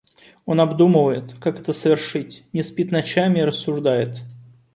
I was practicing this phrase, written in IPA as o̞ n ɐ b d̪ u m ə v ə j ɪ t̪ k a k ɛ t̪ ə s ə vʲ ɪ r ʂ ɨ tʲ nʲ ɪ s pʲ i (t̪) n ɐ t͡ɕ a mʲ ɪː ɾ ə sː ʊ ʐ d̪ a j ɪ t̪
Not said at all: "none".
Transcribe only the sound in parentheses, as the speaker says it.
t̪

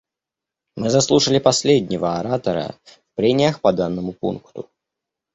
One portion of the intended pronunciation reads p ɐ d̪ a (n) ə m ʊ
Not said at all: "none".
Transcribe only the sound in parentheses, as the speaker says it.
nː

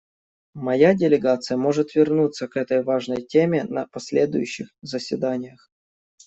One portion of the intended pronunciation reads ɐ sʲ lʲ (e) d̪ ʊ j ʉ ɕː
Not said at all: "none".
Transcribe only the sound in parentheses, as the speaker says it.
e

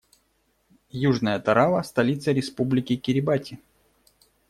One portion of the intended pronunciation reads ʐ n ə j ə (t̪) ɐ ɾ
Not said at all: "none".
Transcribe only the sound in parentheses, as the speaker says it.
t̪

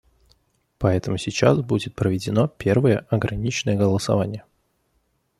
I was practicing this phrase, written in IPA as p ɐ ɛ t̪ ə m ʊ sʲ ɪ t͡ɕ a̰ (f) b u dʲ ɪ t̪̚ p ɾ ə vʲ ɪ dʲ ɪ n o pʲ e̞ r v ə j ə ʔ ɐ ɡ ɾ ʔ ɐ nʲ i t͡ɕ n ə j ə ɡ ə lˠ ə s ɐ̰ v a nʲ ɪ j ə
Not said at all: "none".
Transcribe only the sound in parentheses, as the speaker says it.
s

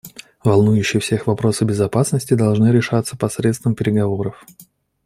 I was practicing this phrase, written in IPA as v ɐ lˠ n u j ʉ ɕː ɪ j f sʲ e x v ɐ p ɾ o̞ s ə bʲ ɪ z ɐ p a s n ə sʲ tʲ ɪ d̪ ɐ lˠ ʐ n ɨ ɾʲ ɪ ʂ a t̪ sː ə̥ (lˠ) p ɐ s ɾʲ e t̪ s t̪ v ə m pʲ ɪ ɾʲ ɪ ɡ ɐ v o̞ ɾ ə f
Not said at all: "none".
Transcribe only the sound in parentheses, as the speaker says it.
none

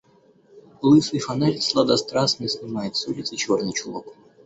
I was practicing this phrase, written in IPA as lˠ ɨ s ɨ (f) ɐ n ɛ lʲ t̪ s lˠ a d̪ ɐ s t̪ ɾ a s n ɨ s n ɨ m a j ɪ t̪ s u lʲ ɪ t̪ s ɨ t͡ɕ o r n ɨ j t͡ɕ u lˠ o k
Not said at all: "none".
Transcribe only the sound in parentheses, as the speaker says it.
f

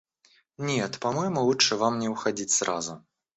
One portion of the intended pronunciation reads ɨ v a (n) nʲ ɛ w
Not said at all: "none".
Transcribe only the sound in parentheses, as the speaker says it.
m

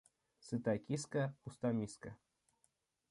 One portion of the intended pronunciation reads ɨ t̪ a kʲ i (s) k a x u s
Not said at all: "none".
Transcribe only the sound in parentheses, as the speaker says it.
s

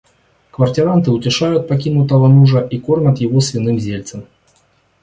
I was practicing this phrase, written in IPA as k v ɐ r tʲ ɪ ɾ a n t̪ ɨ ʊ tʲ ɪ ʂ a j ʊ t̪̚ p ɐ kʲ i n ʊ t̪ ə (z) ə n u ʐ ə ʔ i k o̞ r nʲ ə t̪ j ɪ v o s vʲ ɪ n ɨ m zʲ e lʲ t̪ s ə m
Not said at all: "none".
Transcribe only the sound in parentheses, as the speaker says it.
v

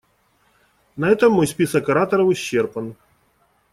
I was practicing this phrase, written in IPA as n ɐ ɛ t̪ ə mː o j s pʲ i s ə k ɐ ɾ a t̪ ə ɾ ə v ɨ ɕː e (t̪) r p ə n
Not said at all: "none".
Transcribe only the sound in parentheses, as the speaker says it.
none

